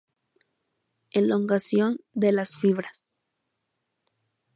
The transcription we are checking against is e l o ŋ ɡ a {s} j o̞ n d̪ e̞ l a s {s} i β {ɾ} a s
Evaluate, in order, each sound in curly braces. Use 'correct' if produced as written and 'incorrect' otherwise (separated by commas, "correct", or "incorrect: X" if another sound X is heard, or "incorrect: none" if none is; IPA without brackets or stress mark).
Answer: correct, incorrect: f, correct